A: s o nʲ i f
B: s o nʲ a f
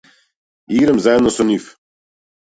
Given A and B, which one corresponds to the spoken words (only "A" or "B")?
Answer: A